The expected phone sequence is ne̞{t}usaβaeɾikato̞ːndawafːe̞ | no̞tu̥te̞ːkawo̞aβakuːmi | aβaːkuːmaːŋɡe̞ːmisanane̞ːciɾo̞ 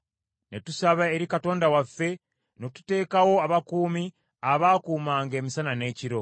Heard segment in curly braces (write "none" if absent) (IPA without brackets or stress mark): t